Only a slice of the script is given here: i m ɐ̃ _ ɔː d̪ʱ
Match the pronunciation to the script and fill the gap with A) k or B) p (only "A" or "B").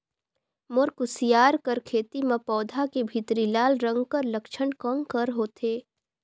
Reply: B